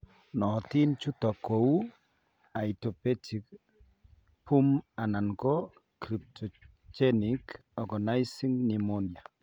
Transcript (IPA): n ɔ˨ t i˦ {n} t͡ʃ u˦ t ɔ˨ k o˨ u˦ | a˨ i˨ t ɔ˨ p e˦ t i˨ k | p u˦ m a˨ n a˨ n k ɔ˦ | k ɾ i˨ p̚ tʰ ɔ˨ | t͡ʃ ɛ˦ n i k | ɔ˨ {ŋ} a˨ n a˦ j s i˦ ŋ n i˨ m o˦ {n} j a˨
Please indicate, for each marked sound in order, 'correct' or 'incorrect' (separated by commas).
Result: correct, incorrect, correct